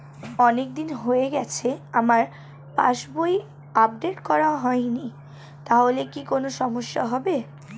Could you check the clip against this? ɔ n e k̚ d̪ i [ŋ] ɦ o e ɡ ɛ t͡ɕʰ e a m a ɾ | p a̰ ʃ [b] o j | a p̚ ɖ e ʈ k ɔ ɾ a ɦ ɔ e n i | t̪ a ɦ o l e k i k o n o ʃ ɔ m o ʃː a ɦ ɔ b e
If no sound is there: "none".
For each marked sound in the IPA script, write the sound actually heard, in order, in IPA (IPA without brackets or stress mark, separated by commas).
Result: n, b